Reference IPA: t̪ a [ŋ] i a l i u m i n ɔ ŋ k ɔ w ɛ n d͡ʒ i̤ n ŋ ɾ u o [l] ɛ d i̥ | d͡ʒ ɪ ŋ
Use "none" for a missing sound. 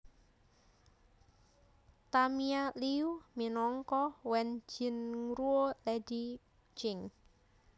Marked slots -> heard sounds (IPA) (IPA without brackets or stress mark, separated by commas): m, l